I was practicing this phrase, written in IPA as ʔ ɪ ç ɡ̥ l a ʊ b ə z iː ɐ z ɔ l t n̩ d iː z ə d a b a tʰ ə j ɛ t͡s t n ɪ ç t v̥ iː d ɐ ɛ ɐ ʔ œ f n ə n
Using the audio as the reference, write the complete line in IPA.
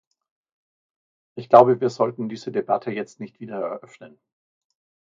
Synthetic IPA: ʔ ɪ ç ɡ̥ l a ʊ b ə v iː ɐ z ɔ l t n̩ d iː z ə d e b a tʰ ə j ɛ t͡s t n ɪ ç t v̥ iː d ɐ ɛ ɐ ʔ œ f n ə n